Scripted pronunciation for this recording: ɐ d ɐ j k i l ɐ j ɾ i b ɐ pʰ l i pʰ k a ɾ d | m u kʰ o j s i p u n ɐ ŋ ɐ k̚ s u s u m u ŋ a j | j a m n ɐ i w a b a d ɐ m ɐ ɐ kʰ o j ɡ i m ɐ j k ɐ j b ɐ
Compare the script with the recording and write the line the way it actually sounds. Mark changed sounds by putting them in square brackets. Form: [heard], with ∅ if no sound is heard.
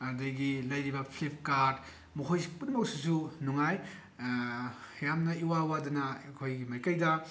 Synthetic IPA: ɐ d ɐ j [ɡ] i l ɐ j ɾ i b ɐ pʰ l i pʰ k a ɾ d | m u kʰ o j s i p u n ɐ [m] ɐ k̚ s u s u [n] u ŋ a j | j a m n ɐ i w a [w] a d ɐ [n] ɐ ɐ kʰ o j ɡ i m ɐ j k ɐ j [d] ɐ

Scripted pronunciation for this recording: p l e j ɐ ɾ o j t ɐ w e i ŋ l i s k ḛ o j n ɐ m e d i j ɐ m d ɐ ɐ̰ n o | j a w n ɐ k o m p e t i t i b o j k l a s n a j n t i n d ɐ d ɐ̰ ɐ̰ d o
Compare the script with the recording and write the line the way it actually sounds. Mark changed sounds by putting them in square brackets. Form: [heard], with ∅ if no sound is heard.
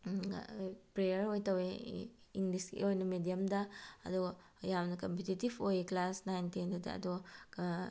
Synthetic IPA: p [ɾ] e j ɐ ɾ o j t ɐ w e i ŋ l i s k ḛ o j n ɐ m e d i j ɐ m d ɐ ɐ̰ [d] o | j a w n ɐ k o m p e t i t i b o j k l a s n a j n t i n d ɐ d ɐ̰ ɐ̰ d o

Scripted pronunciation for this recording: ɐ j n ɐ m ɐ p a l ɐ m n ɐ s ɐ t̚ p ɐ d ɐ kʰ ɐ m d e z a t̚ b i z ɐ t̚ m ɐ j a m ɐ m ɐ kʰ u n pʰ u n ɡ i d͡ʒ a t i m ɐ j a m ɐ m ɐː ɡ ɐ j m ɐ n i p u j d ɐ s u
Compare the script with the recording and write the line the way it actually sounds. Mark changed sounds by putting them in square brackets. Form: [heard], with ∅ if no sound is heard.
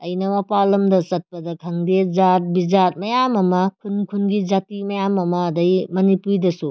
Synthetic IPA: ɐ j n ɐ m ɐ p a l ɐ m [d] ɐ s ɐ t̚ p ɐ d ɐ kʰ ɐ [ŋ] d e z a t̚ b i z [a] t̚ m ɐ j a m ɐ m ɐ kʰ u n [kʰ] u n ɡ i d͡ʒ a t i m ɐ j a m ɐ m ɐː [d] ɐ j m ɐ n i p u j d ɐ s u

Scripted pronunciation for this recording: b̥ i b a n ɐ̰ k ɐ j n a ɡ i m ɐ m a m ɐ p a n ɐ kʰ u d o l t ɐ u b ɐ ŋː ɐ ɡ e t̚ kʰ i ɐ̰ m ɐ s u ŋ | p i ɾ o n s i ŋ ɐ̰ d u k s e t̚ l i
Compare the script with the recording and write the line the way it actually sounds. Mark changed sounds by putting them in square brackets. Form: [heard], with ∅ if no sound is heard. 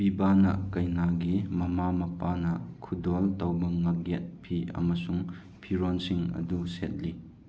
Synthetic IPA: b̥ i b a n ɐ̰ k ɐ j n a ɡ i m ɐ m a m ɐ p a n ɐ kʰ u d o l t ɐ [w] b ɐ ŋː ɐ ɡ e t̚ [pʰ] i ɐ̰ m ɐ s u ŋ | [pʰ] i ɾ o n s i ŋ ɐ̰ d u [∅] s e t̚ l i

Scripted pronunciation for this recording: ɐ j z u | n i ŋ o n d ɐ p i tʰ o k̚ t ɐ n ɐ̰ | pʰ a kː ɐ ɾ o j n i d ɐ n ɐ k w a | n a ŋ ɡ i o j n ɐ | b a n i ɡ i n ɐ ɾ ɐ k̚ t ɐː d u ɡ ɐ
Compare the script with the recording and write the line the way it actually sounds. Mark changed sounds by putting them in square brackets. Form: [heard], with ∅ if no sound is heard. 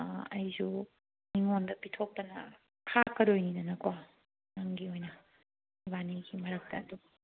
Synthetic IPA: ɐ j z u | n i ŋ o n d ɐ p i tʰ o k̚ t ɐ n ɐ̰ | [kʰ] a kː ɐ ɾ o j n i [n] ɐ n ɐ k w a | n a ŋ ɡ i o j n ɐ | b a n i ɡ i [m] ɐ ɾ ɐ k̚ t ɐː d u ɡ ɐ

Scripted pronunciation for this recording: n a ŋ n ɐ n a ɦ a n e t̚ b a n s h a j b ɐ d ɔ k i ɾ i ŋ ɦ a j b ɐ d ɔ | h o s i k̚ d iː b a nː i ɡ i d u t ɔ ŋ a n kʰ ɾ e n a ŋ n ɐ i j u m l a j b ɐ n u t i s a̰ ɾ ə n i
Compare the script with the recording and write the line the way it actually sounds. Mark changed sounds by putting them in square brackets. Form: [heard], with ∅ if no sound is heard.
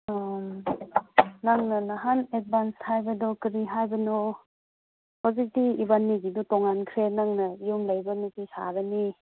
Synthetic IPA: n a ŋ n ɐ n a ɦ a n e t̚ b a n s h a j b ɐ d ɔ k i ɾ i [∅] ɦ a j b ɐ [n] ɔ | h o [z] i k̚ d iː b a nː i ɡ i d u t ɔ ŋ a n kʰ ɾ e n a ŋ n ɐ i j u m l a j b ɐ n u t i s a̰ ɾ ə n i

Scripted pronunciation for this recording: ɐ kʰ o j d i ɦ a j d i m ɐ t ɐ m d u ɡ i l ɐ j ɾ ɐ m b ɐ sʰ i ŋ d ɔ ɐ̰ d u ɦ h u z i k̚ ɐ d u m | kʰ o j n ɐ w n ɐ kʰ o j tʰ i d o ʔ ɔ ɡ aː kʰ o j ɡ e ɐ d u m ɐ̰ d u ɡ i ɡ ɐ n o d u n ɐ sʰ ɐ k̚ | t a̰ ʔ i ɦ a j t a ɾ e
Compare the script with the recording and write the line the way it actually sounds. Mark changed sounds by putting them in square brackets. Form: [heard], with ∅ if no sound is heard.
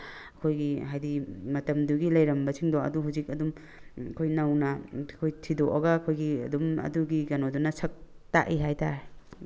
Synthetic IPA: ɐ kʰ o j [ɡ] i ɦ a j d i m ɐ t ɐ m d u ɡ i l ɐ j ɾ ɐ m b ɐ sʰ i ŋ d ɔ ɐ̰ d u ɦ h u z i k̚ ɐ d u m | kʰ o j n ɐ w n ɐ kʰ o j tʰ i d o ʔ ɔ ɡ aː kʰ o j ɡ [i] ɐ d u m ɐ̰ d u ɡ i ɡ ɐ n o d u n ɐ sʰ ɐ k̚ | t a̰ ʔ i ɦ a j t a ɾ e

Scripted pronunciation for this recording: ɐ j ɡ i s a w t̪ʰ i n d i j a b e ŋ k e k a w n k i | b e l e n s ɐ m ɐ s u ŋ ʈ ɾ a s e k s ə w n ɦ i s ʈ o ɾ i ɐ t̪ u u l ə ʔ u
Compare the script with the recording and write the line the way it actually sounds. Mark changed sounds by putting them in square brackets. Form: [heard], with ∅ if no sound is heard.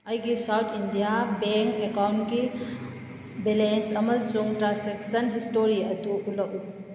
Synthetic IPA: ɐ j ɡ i s a w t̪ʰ i n d i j a b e ŋ k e k a w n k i | b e l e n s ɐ m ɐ s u ŋ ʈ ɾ a s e k s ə [∅] n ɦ i s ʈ o ɾ i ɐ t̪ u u l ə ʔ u

